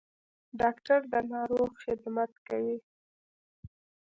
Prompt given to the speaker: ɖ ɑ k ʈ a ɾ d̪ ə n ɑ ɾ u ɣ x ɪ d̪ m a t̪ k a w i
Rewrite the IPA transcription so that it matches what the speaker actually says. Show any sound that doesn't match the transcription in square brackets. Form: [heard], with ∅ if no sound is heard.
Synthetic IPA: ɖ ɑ k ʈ a ɾ d̪ ə n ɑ ɾ [o] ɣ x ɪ d̪ m a t̪ k a w i

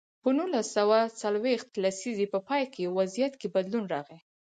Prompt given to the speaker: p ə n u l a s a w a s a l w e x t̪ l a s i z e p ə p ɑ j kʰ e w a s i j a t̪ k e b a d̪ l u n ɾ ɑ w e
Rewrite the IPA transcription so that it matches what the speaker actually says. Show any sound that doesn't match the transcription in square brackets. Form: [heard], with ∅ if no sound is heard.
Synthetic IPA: p ə n u l a s a w a [t͡s] a l w e x t̪ l a s i z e p ə p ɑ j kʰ e w a [z] i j a t̪ k e b a d̪ l u n ɾ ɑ [ɣ] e

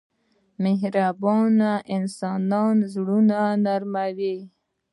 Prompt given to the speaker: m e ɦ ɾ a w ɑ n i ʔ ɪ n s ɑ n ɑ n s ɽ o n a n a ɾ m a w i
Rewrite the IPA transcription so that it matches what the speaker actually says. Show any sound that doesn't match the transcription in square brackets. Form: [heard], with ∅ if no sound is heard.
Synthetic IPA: m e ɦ ɾ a [b] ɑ n [a] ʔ ɪ n s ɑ n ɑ n [z] ɽ [u] n a n a ɾ m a w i

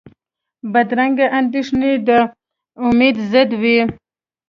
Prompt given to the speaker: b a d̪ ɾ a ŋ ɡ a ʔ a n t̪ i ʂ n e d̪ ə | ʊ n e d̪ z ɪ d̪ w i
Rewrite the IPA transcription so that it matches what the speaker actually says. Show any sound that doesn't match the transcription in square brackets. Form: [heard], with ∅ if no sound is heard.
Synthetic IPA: b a d̪ ɾ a ŋ ɡ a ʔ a n [d̪] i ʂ n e d̪ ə | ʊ [m] e d̪ z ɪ d̪ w i

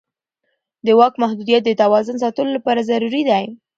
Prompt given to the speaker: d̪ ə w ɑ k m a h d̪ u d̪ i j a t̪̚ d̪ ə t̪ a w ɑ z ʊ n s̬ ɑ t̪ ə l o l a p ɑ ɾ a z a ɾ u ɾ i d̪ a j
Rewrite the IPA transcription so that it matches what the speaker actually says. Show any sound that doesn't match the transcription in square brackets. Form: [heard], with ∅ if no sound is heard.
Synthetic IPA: d̪ ə w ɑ k m a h d̪ u d̪ i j a t̪̚ d̪ ə t̪ a w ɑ z ʊ n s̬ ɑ t̪ ə l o l a p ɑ ɾ a z a ɾ u ɾ i d̪ a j

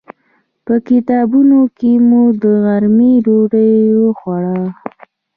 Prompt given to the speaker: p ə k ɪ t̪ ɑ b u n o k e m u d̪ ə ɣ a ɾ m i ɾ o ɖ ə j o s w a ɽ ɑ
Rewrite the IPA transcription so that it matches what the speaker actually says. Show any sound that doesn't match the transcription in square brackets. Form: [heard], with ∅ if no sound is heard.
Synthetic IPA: p ə k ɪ t̪ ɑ b u n o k e m u d̪ ə ɣ a ɾ m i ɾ o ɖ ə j o [x] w a ɽ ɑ

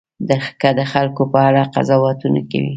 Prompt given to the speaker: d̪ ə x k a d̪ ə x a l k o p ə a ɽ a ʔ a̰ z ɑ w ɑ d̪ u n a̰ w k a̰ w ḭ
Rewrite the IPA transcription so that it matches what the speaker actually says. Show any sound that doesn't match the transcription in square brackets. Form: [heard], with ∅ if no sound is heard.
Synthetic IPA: d̪ ə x k a d̪ ə x a l k o p ə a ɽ a [q] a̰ z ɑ w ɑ [t̪] u n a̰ [∅] k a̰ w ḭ

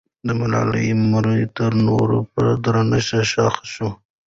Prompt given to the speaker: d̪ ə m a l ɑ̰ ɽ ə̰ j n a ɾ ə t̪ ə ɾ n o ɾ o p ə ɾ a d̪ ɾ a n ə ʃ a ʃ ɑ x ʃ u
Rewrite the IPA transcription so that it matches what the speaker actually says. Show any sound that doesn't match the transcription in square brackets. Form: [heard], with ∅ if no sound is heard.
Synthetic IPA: d̪ ə m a l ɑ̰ [l] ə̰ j [m] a ɾ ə t̪ ə ɾ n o ɾ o p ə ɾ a d̪ ɾ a n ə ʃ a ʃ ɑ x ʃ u

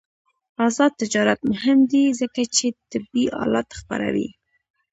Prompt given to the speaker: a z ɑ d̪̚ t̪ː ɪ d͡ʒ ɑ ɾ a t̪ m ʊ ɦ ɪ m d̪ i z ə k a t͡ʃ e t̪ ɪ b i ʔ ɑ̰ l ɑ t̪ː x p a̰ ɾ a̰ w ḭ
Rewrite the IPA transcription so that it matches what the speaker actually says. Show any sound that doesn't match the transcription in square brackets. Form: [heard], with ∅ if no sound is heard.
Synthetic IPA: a z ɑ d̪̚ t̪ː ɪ d͡ʒ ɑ ɾ a t̪ m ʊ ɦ ɪ m d̪ i z ə k a t͡ʃ e t̪ ɪ b i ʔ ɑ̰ l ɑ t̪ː x p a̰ ɾ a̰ w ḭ

